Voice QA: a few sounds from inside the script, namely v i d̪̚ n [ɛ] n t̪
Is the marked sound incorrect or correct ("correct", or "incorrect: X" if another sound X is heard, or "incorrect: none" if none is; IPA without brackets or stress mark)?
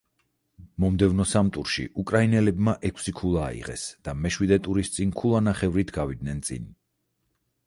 correct